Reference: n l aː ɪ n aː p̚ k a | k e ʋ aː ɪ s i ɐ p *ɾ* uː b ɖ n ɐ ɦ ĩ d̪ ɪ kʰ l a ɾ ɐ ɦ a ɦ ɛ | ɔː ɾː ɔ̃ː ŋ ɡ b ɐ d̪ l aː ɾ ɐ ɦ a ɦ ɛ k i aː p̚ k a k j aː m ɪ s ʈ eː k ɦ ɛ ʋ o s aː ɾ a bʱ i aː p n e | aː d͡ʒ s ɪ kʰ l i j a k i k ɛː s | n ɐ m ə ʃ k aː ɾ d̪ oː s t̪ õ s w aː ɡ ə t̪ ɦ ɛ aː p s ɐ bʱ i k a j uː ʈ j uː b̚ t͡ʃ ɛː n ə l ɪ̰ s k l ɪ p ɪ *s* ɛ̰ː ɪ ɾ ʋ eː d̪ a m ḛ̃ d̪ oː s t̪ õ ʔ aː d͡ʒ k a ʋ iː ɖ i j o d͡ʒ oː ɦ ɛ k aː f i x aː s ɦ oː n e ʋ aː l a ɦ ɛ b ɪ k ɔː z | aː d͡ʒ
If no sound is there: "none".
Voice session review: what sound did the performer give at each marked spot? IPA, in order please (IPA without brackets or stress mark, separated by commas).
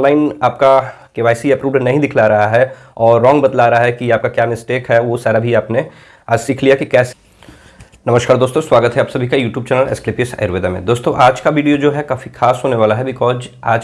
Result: ɾ, s